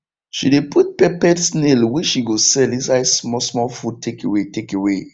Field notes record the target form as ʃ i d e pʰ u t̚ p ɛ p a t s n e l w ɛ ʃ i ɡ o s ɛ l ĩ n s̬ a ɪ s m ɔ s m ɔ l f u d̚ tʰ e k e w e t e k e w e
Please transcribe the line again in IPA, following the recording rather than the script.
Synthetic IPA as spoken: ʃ i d e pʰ u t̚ p ɛ p ɛ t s n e l w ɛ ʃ i ɡ o s ɛ l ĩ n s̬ a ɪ s m ɔ s m ɔ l f u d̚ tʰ e k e w e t e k e w e